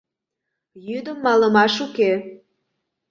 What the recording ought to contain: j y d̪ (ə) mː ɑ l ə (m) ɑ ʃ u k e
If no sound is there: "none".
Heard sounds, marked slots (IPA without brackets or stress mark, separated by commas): ə, m